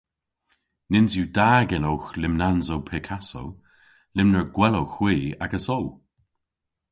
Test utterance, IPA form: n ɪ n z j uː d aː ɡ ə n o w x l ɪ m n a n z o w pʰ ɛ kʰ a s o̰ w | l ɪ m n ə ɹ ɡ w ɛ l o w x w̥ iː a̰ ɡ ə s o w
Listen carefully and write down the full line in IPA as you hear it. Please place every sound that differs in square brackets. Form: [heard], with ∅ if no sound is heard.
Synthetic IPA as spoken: n ɪ n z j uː d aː ɡ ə n o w x l ɪ m n a n z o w pʰ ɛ kʰ a s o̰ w | l ɪ m n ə ɹ ɡ w ɛ l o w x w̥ iː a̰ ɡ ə s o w